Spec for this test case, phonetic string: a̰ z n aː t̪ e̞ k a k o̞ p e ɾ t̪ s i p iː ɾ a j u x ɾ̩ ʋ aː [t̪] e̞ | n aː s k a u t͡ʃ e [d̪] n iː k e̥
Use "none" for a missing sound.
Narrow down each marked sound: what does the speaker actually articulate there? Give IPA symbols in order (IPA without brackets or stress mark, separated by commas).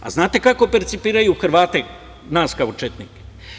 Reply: t̪, t̪